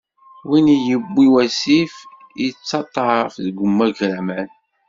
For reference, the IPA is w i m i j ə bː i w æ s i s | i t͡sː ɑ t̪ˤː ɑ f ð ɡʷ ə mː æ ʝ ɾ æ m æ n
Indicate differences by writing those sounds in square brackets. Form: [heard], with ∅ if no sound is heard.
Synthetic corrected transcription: w i [n] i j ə bː i w æ s i [f] | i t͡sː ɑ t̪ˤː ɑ f ð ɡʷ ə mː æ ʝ ɾ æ m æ n